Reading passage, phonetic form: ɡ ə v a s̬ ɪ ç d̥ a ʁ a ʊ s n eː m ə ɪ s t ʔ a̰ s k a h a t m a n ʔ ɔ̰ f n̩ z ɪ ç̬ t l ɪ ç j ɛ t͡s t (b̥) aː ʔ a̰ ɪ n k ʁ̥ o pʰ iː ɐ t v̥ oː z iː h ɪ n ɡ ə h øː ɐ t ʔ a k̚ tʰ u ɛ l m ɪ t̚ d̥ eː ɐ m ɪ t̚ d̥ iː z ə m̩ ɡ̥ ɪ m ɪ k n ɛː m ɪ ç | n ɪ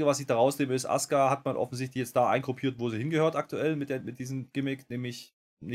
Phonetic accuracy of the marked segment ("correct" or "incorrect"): incorrect